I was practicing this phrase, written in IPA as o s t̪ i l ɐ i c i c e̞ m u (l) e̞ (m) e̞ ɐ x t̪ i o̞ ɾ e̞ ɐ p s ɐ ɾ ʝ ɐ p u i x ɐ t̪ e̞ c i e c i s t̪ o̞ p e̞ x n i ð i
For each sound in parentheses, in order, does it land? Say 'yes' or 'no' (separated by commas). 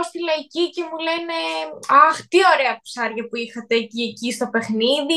yes, no